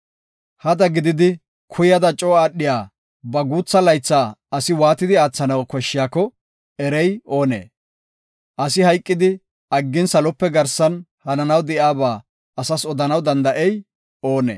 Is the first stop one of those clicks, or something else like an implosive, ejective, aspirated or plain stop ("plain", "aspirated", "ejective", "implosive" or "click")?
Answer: plain